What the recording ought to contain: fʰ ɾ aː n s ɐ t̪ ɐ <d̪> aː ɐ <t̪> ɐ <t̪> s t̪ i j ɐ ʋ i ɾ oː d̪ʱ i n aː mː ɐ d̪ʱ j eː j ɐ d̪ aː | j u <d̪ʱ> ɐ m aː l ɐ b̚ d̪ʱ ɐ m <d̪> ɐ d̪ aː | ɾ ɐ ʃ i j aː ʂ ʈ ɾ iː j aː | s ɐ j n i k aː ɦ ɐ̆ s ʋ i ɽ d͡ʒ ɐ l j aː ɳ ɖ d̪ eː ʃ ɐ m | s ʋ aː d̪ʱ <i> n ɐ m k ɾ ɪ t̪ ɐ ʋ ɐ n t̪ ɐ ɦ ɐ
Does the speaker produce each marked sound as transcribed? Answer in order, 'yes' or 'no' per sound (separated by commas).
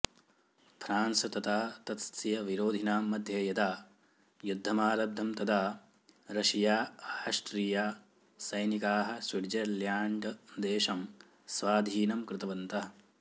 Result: no, yes, yes, no, no, no